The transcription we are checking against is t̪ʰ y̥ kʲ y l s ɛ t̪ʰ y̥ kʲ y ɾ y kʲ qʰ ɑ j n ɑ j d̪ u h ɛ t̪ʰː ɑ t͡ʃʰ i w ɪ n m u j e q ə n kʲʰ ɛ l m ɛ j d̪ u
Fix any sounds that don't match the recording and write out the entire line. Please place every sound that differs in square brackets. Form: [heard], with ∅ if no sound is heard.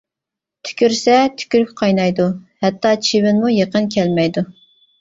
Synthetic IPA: t̪ʰ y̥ kʲ y [ɾ] s ɛ t̪ʰ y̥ kʲ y ɾ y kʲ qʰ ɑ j n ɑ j d̪ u h ɛ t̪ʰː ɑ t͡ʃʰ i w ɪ n m u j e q ə n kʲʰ ɛ l m ɛ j d̪ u